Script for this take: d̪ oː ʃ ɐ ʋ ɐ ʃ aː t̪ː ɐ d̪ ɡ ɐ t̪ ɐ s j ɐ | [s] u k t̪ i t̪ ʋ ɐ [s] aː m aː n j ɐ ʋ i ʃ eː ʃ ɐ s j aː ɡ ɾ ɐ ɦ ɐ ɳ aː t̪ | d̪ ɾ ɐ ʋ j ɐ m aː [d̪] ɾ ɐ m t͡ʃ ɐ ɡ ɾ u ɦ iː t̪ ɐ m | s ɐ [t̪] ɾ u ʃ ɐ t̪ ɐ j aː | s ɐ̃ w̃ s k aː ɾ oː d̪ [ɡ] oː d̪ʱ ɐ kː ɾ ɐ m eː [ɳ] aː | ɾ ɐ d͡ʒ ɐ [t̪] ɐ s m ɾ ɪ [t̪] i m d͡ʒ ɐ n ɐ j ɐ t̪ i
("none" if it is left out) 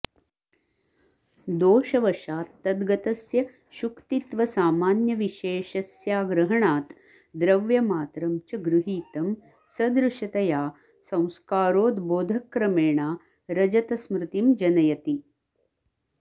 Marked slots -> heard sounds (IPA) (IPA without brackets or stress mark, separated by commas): ʃ, s, t̪, d̪, b, ɳ, t̪, t̪